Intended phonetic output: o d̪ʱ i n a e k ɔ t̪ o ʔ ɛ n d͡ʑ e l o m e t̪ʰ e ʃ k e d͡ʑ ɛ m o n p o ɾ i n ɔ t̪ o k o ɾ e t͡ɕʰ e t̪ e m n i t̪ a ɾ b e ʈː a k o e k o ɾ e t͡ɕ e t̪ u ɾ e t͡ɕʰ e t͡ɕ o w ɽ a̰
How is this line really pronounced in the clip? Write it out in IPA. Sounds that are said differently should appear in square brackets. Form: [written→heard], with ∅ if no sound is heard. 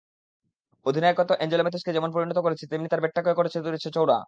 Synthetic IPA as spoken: o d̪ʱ i n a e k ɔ t̪ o ʔ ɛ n d͡ʑ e l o m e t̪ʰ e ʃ k e d͡ʑ ɛ m o n p o ɾ i n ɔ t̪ o k o ɾ e t͡ɕʰ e t̪ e m n i t̪ a ɾ b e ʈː a k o e k o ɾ e [t͡ɕ→t͡ɕʰ] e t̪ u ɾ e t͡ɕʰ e t͡ɕ o w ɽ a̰